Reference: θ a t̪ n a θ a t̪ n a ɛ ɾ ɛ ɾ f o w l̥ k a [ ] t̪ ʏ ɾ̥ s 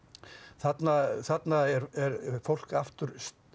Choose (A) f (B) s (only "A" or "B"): A